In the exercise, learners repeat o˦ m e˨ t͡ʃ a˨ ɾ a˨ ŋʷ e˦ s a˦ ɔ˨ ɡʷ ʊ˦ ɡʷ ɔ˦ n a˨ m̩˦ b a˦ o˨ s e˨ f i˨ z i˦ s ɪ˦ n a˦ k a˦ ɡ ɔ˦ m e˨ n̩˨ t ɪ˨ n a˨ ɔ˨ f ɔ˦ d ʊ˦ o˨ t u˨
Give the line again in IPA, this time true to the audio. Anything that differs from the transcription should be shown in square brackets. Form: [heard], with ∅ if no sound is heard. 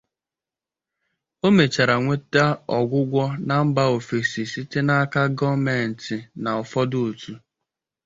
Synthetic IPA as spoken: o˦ m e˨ t͡ʃ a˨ ɾ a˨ ŋʷ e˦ [t] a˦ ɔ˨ ɡʷ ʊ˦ ɡʷ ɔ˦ n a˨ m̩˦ b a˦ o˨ [f] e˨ [s] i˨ [s] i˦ [t] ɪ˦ n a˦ k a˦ ɡ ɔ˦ m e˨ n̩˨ t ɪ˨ n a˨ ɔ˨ f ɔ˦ d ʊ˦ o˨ t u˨